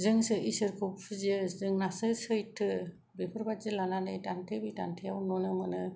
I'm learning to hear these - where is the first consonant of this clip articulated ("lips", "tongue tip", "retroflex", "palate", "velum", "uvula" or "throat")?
tongue tip